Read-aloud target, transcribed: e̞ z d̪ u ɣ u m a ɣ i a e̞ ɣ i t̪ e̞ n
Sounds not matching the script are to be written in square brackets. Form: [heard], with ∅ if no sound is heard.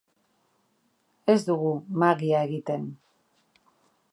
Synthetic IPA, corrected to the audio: e̞ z d̪ u ɣ u m a ɣ i a e̞ ɣ i t̪ e̞ n

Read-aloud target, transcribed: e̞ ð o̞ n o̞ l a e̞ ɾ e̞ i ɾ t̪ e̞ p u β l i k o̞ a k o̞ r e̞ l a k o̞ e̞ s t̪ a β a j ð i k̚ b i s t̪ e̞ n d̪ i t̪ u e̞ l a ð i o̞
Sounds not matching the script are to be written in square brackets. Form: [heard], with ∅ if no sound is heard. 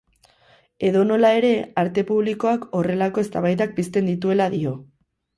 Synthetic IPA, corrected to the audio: e̞ ð o̞ n o̞ l a e̞ ɾ e̞ [a] ɾ t̪ e̞ p u β l i k o̞ a k o̞ r e̞ l a k o̞ e̞ s t̪ a β a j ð [a] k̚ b i s t̪ e̞ n d̪ i t̪ u e̞ l a ð i o̞

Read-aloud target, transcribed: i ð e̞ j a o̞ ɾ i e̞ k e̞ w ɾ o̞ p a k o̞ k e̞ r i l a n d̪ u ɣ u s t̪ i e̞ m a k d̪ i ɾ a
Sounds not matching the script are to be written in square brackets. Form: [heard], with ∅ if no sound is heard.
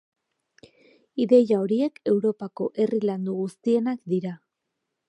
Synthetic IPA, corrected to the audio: i ð e̞ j a o̞ ɾ i e̞ k e̞ w ɾ o̞ p a k o̞ [ʔ] e̞ r i l a n d̪ u ɣ u s t̪ i e̞ [n] a k d̪ i ɾ a

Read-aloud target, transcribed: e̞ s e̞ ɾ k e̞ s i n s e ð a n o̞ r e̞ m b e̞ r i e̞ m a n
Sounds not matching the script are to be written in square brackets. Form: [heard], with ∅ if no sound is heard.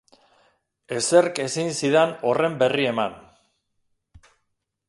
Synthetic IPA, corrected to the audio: e̞ s e̞ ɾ k e̞ s i n s [i] ð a n o̞ r e̞ m b e̞ r i e̞ m a n

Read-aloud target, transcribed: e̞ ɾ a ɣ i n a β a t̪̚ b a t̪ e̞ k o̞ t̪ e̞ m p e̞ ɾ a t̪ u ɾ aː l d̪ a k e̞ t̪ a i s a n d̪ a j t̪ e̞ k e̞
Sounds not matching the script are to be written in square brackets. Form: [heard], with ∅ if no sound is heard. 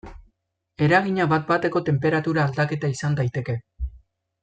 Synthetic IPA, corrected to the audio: e̞ ɾ a ɣ i [ɲ] a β a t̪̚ b a t̪ e̞ k o̞ t̪ e̞ m p e̞ ɾ a t̪ u ɾ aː l d̪ a k e̞ t̪ a i s a n d̪ a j t̪ e̞ k e̞

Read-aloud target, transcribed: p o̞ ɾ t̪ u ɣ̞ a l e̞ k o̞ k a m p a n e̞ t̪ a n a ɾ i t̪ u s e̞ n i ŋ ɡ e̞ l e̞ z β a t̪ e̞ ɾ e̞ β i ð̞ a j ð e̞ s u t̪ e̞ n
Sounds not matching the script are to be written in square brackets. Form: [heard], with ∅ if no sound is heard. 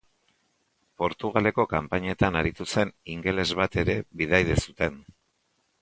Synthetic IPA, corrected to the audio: p o̞ ɾ t̪ u ɣ̞ a l e̞ k o̞ k a m p a [ɲ] e̞ t̪ a n a ɾ i t̪ u s e̞ n i ŋ ɡ e̞ l e̞ z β a t̪ e̞ ɾ e̞ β i ð̞ a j ð e̞ s u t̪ e̞ n

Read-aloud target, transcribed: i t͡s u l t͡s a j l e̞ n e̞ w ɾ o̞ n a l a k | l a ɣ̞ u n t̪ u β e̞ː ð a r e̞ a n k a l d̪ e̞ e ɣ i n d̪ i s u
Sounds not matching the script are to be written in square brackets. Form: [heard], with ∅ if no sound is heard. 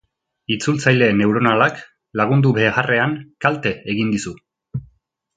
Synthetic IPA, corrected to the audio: i t͡s u l t͡s a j l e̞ n e̞ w ɾ o̞ n a l a k | l a ɣ̞ u n [d̪] u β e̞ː [ɣ] a r e̞ a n k a l [t̪] e̞ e ɣ i n d̪ i s u

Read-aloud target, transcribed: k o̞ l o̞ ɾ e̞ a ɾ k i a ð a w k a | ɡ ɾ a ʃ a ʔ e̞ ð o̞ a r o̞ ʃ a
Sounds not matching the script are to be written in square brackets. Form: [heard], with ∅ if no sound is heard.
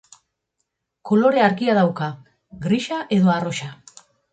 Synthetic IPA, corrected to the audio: k o̞ l o̞ ɾ e̞ a ɾ k i a ð a w k a | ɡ ɾ [i] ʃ a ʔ e̞ ð o̞ a r o̞ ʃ a

